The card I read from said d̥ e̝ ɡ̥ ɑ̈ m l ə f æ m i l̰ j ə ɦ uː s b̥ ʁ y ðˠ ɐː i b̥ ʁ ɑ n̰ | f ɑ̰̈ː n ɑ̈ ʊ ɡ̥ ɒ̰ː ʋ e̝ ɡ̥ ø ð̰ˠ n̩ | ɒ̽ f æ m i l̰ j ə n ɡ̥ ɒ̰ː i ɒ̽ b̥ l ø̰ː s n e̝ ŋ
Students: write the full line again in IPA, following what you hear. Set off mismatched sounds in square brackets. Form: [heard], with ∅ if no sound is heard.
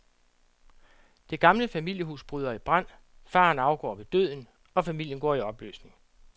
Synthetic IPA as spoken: d̥ e̝ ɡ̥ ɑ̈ m l ə f æ m i l̰ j ə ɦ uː s b̥ ʁ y ðˠ [ɐ] i b̥ ʁ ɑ n̰ | f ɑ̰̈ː n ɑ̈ ʊ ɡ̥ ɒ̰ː ʋ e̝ [d̥] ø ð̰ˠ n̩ | ɒ̽ f æ m i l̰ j ə n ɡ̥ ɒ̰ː i ɒ̽ b̥ l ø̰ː s n e̝ ŋ